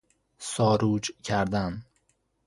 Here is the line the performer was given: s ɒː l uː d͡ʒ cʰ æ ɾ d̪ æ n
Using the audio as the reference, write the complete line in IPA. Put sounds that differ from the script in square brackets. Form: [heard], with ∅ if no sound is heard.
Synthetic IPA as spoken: s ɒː [ɾ] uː d͡ʒ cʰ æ ɾ d̪ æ n